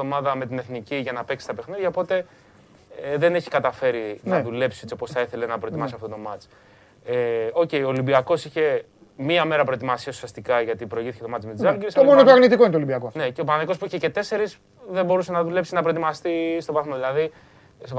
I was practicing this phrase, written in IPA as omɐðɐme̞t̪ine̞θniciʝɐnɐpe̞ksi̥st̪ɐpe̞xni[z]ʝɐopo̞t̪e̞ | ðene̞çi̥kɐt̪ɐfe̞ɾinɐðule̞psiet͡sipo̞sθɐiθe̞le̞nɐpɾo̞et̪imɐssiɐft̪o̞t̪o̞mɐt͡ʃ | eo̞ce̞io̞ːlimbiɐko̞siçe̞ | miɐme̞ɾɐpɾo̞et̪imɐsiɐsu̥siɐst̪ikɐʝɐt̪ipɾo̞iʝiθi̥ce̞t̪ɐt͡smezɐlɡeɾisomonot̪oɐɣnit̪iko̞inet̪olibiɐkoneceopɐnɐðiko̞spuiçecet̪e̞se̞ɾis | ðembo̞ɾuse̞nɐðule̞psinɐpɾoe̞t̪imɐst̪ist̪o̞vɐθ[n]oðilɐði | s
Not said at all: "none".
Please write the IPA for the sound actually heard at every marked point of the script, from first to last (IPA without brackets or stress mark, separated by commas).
ð, m